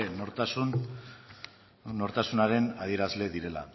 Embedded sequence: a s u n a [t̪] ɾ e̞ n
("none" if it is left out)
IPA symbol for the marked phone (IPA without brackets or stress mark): none